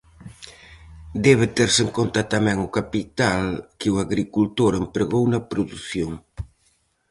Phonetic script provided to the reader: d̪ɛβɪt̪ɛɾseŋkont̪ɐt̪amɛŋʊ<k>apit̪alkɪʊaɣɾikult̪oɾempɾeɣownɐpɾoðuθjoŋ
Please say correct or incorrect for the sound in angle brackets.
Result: correct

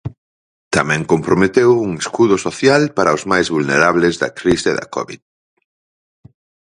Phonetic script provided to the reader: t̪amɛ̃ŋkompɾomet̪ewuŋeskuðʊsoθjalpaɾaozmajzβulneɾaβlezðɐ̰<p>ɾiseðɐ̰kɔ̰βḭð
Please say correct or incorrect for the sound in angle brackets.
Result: incorrect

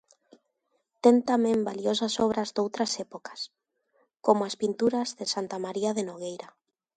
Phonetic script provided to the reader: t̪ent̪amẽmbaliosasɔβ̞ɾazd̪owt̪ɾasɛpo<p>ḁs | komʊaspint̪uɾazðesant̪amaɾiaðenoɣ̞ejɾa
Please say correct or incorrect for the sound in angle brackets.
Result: incorrect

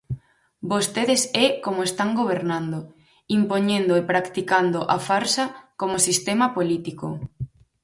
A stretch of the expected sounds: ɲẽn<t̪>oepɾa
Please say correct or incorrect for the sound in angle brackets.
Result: incorrect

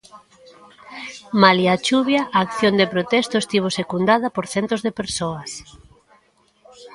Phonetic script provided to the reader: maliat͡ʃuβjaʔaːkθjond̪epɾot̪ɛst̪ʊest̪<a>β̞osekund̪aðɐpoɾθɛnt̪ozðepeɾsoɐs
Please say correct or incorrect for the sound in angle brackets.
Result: incorrect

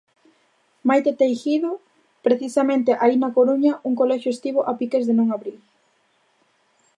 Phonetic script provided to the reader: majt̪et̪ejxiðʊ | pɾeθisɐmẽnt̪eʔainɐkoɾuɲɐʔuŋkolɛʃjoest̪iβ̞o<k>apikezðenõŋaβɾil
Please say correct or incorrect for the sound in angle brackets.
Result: incorrect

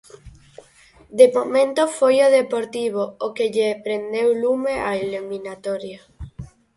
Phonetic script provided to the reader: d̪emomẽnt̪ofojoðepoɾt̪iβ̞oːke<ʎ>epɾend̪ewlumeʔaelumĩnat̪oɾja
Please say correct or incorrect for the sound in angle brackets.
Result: correct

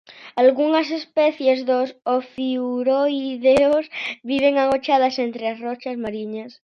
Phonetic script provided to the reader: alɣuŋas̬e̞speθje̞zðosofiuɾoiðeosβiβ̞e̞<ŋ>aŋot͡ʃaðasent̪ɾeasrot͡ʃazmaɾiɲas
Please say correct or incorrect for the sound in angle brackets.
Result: correct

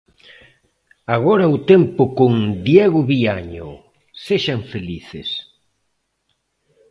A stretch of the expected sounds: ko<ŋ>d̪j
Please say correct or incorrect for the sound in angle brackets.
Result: correct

